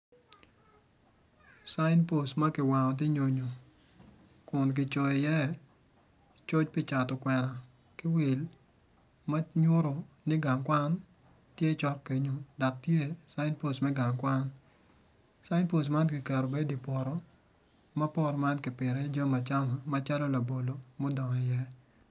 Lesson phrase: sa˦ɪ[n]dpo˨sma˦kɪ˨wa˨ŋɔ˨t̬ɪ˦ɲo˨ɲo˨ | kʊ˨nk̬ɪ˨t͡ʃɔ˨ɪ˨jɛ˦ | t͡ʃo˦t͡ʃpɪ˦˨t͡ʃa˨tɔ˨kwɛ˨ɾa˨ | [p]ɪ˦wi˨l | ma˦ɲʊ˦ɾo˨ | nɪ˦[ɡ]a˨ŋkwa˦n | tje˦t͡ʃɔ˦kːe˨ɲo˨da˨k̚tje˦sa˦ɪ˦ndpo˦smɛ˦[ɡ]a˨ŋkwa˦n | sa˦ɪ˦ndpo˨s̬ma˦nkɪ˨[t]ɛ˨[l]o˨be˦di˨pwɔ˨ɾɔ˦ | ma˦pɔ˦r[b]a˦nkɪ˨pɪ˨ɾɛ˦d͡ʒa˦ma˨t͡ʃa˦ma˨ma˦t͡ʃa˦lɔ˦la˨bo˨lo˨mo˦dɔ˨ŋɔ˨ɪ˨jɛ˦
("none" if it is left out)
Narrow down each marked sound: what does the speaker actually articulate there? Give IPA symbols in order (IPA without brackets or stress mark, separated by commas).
n, k, ɡ, ɡ, k, ɾ, m